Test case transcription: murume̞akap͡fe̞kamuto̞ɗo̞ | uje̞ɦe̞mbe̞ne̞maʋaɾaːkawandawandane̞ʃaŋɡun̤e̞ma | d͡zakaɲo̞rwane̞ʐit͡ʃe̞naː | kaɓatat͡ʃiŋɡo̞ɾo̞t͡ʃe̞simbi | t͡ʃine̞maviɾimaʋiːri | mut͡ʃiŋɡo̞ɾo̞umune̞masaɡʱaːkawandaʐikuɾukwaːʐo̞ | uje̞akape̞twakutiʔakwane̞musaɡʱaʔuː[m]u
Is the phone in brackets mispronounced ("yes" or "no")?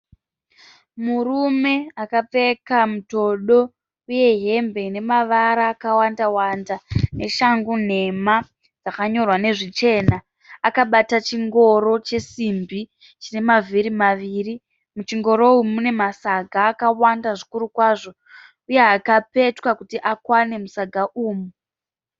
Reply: no